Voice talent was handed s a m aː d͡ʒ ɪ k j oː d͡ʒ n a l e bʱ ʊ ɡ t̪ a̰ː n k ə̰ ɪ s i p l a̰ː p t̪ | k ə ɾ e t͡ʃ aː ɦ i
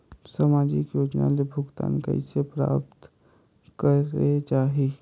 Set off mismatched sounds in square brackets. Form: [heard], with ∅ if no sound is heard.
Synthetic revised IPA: s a m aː d͡ʒ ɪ k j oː d͡ʒ n a l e bʱ ʊ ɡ t̪ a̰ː n k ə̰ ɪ s [e] p [ɾ] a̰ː p t̪ | k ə ɾ e t͡ʃ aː ɦ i